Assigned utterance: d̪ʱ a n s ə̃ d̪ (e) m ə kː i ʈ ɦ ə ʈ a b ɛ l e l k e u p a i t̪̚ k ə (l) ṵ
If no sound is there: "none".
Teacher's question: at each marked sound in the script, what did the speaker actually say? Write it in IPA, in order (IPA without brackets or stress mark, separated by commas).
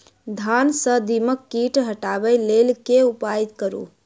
i, ɾ